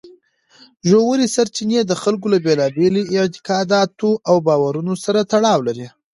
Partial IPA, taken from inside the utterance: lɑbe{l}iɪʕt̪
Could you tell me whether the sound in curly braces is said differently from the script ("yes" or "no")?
no